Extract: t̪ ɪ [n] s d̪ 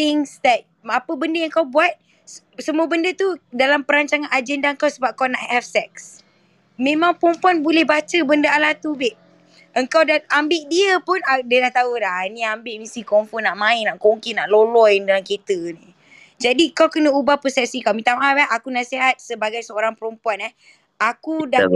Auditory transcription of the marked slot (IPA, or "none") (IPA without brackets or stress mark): ŋ